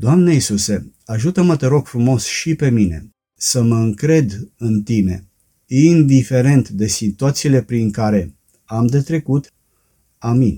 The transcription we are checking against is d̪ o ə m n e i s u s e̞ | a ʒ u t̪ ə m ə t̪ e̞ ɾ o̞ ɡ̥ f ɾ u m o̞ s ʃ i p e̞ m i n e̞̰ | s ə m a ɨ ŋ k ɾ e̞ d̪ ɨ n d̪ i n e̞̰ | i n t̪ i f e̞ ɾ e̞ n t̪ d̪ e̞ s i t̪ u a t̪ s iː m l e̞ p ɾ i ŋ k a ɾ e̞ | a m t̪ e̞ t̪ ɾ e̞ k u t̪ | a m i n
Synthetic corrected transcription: d̪ o a m n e i s u s e̞ | a ʒ u t̪ ə m ə t̪ e̞ ɾ o̞ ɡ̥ f ɾ u m o̞ s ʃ i p e̞ m i n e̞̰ | s ə m ə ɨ ŋ k ɾ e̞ d̪ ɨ n t̪ i n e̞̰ | i n d̪ i f e̞ ɾ e̞ n t̪ d̪ e̞ s i t̪ u a t̪ s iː l e̞ p ɾ i ŋ k a ɾ e̞ | a m d̪ e̞ t̪ ɾ e̞ k u t̪ | a m i n